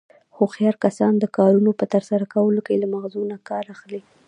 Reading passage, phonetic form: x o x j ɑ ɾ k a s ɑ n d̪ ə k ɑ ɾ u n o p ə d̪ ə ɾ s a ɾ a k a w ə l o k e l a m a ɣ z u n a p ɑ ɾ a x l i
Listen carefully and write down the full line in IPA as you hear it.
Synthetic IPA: x o x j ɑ ɾ k a s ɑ n d̪ ə k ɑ ɾ u n o p ə t̪ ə ɾ s a ɾ a k a w ə l o k e l a m a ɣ z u n a k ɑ ɾ a x l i